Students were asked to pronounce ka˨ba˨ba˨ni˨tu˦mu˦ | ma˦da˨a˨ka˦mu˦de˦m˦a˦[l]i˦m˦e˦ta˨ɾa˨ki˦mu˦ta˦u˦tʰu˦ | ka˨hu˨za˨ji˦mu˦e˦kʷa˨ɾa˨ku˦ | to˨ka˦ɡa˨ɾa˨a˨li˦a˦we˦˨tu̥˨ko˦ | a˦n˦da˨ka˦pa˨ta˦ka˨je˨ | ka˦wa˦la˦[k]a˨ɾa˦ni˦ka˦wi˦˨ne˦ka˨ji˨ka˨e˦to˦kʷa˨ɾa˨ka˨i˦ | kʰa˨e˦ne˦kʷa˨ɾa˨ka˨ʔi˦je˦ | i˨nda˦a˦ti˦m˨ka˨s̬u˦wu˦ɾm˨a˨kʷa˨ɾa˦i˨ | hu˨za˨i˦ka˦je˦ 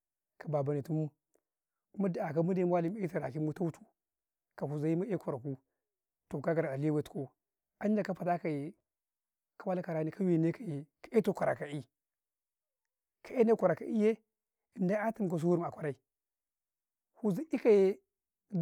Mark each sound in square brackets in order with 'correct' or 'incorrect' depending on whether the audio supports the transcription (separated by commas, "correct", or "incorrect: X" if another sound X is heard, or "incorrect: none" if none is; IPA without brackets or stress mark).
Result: correct, correct